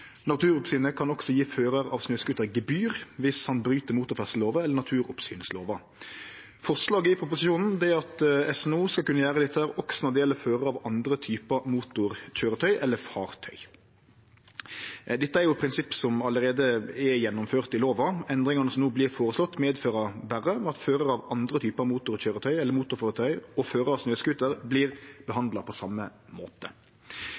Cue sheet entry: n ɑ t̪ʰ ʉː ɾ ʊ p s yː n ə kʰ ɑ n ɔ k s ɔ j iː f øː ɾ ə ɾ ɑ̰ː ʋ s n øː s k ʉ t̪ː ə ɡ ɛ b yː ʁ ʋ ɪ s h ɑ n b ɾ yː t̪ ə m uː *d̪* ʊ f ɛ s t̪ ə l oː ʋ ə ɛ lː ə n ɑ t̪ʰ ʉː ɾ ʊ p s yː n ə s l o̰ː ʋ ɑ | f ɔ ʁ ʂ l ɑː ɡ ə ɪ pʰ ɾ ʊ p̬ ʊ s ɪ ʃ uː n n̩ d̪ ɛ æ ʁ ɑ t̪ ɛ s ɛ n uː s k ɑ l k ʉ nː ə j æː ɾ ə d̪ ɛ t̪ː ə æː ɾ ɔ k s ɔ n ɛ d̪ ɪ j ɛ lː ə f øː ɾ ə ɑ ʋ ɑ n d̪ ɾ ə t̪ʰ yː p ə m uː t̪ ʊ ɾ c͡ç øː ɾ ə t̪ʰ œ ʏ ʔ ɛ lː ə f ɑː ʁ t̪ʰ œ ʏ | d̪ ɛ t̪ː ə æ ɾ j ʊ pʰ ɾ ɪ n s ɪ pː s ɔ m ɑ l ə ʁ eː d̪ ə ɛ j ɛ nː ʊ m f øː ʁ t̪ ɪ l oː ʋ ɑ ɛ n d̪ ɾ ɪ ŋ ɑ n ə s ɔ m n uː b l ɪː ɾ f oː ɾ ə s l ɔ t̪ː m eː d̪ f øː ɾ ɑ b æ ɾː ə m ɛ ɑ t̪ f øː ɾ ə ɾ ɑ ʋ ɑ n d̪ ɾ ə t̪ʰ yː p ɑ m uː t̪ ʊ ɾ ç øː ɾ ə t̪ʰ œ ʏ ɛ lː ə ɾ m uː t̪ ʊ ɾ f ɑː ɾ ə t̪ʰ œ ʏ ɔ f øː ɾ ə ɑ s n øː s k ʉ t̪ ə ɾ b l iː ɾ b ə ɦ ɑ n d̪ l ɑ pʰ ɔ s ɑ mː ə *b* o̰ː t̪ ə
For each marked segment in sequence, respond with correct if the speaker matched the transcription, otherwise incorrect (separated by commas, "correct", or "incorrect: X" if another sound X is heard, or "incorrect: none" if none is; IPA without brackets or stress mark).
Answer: incorrect: t̪, incorrect: m